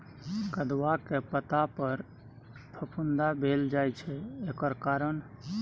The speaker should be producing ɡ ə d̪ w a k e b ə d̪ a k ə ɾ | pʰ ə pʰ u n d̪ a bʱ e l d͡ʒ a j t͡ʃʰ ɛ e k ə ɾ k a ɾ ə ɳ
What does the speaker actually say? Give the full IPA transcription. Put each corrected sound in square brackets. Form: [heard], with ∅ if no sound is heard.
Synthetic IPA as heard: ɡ ə d̪ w a k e [p] ə [t̪] a [p] ə ɾ | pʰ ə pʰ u n d̪ a bʱ e l d͡ʒ a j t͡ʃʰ ɛ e k ə ɾ k a ɾ ə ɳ